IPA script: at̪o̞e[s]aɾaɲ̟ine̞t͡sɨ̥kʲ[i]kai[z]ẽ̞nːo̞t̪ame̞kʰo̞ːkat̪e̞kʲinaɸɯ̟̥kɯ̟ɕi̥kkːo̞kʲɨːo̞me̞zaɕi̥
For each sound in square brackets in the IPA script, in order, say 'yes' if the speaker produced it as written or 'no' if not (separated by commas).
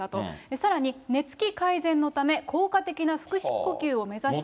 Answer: yes, yes, yes